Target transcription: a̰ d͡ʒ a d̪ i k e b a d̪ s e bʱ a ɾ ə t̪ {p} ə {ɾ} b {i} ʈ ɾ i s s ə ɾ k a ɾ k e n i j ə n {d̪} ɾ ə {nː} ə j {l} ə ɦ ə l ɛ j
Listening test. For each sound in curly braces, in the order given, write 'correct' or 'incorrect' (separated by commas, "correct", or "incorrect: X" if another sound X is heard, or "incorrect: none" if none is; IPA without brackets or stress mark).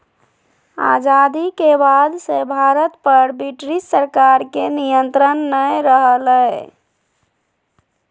correct, correct, correct, incorrect: t̪, correct, incorrect: ɾ